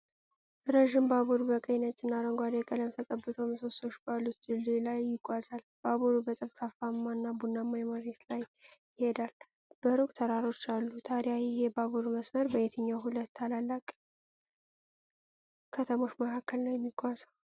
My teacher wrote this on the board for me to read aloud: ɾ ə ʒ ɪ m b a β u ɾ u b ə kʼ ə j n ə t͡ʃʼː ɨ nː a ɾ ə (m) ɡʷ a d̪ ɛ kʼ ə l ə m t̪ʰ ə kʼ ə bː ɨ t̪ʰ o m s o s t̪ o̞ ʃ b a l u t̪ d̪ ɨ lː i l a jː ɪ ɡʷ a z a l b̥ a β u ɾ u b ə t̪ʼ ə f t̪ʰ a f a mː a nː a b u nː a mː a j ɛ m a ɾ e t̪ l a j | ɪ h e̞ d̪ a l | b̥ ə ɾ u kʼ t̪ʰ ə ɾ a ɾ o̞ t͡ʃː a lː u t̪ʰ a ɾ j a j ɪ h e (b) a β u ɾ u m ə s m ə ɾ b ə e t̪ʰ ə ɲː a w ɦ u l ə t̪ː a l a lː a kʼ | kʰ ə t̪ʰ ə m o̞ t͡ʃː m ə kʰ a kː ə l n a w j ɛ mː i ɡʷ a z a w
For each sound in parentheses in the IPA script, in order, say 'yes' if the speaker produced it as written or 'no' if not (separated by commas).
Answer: no, yes